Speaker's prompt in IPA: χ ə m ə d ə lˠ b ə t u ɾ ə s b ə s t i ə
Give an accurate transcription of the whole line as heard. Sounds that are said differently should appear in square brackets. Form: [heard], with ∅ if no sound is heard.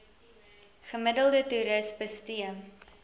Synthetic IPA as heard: χ ə m ə d ə lˠ [d] ə t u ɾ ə s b ə s t i ə